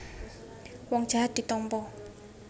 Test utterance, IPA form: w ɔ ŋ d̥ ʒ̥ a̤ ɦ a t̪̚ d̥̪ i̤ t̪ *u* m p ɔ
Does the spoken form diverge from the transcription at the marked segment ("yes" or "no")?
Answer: yes